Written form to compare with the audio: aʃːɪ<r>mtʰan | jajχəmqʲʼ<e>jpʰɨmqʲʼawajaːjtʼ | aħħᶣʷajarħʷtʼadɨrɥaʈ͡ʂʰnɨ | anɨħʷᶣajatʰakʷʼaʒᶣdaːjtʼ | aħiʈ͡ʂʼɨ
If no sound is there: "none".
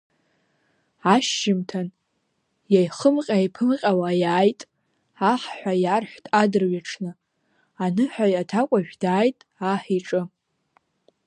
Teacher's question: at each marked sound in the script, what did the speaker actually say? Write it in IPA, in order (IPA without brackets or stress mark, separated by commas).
none, a